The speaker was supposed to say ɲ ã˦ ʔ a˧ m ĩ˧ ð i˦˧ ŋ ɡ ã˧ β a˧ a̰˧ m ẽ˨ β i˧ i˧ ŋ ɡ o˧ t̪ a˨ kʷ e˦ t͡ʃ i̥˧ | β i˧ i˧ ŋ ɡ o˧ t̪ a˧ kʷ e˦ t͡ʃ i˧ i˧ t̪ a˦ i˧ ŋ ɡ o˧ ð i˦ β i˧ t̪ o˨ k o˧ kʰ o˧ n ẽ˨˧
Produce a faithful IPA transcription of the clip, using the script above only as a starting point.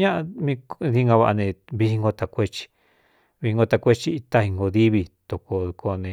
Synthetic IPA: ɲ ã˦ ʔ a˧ m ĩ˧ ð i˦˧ ŋ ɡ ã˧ β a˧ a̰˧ n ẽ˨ β i˧ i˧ ŋ ɡ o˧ t̪ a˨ kʷ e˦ t͡ʃ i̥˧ | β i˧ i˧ ŋ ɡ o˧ t̪ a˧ kʷ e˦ t͡ʃ i˧ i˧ t̪ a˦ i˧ ŋ ɡ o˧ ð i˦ β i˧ t̪ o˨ k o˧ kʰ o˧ n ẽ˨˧